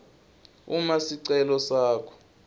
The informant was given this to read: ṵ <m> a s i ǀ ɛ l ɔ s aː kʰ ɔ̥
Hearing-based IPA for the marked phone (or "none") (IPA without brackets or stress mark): m